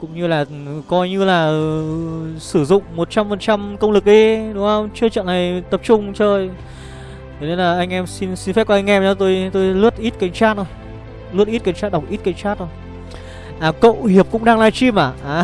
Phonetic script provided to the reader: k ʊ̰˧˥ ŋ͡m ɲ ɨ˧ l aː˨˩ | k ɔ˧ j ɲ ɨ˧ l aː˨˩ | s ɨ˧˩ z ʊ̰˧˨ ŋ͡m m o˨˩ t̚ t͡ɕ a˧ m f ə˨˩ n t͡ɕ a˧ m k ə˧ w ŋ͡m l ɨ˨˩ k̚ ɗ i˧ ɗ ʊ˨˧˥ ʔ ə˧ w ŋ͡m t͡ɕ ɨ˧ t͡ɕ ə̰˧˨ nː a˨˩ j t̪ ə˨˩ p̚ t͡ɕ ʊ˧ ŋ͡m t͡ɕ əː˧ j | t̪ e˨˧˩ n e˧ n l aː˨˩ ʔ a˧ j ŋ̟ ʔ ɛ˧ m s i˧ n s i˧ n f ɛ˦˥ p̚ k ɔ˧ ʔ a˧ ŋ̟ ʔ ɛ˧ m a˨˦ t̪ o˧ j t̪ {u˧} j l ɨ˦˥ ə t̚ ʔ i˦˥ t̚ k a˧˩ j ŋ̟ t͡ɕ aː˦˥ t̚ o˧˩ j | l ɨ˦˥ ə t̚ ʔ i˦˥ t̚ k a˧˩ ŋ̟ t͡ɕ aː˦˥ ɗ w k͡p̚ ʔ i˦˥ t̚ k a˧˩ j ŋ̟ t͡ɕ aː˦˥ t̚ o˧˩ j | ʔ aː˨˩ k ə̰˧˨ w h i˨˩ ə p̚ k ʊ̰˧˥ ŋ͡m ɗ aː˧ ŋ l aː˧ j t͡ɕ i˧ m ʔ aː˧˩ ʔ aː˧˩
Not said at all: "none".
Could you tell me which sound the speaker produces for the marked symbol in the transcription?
o˧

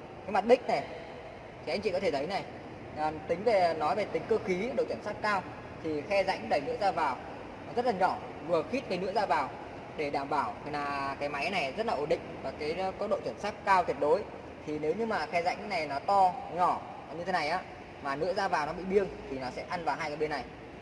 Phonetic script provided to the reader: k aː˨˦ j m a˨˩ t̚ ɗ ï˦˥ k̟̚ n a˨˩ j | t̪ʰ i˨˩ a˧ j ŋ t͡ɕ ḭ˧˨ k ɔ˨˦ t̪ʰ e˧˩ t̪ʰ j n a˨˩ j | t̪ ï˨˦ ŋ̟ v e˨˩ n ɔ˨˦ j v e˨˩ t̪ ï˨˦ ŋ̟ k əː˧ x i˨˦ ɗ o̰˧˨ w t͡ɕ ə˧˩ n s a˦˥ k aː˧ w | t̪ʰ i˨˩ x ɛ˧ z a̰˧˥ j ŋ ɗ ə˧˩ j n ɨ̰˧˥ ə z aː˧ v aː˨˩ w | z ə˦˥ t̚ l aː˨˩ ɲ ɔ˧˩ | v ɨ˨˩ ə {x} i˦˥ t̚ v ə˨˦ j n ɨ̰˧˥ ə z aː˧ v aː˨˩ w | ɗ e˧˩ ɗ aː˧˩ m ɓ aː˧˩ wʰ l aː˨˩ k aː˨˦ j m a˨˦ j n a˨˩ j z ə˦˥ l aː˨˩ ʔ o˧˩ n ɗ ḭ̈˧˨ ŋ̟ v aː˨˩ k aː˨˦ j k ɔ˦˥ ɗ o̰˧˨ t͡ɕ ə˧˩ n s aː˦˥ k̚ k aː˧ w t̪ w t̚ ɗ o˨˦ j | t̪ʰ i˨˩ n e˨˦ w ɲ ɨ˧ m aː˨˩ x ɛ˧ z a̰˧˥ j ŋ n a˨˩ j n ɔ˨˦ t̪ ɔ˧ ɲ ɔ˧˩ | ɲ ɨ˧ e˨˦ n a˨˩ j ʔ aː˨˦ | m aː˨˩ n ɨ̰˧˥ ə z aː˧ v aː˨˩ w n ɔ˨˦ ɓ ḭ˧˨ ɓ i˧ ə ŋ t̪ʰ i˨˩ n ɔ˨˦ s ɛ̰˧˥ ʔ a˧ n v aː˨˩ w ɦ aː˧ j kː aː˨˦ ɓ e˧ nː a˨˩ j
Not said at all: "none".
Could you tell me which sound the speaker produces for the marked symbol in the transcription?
x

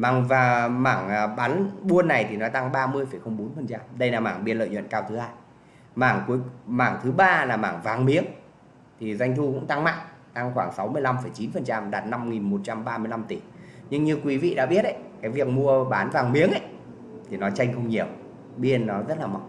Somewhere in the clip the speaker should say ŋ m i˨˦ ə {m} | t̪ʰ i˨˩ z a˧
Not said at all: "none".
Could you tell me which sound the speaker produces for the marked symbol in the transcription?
ŋ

